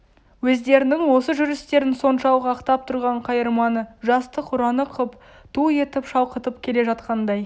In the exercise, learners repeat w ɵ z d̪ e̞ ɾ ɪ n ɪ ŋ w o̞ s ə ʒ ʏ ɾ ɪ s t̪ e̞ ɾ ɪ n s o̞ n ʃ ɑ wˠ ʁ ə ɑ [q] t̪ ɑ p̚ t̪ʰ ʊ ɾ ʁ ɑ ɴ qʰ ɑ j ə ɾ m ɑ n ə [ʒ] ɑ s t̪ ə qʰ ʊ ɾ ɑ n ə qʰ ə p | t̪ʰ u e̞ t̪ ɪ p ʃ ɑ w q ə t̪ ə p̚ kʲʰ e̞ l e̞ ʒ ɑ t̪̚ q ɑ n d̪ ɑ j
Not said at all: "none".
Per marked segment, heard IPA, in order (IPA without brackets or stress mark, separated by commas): q, ʒ